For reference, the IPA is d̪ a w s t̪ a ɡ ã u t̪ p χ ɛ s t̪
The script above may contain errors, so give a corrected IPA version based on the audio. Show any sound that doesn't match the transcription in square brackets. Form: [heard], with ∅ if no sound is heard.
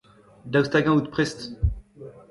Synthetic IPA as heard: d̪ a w s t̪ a ɡ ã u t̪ p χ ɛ s t̪